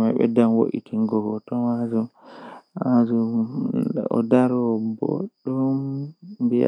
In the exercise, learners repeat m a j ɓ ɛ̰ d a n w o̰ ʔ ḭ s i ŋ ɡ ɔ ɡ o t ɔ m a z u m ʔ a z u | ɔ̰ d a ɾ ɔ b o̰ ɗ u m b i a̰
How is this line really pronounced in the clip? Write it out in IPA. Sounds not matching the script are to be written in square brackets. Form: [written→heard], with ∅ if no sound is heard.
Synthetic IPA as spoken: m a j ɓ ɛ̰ d a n w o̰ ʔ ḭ [s→t] i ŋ ɡ ɔ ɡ [o→ɔ] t ɔ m a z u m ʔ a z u | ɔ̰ d a ɾ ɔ b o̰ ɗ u m b i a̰